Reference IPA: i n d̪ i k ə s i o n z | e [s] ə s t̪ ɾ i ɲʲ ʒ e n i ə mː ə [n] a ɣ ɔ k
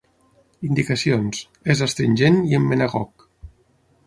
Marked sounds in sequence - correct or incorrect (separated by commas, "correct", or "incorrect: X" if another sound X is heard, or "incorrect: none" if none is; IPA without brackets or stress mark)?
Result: incorrect: z, correct